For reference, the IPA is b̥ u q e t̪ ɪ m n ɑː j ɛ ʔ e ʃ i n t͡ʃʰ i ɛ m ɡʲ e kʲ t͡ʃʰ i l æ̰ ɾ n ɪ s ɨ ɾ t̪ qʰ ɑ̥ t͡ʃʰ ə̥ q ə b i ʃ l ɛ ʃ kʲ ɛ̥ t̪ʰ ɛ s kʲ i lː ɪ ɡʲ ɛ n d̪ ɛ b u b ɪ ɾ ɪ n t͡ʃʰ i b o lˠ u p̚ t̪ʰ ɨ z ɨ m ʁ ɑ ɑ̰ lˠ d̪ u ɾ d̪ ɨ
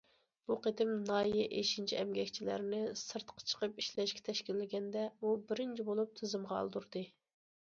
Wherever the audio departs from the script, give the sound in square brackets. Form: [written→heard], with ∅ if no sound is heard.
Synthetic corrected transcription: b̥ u q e t̪ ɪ m n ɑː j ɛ ʔ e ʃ i n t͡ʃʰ i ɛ m ɡʲ [e→ɛ] kʲ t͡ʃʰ i l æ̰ ɾ n ɪ s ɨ ɾ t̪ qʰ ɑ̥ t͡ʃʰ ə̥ q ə [b→p] i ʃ l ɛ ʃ kʲ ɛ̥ t̪ʰ ɛ [s→ʃ] kʲ i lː ɪ ɡʲ ɛ n d̪ ɛ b u b ɪ ɾ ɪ n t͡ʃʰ i b o lˠ u p̚ t̪ʰ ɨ z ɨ m ʁ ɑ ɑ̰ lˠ d̪ u ɾ d̪ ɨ